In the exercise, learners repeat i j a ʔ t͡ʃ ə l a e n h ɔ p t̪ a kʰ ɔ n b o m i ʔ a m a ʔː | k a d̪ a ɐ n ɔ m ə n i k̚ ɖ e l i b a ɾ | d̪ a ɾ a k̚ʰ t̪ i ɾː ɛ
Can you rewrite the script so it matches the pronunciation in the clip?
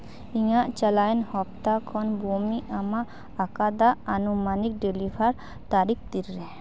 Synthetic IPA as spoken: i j a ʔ t͡ʃ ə l a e n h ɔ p t̪ a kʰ ɔ n b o m i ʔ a m a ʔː | k a d̪ a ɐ n u m a n i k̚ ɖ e l i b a ɾ | t̪ a ɾ i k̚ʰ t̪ i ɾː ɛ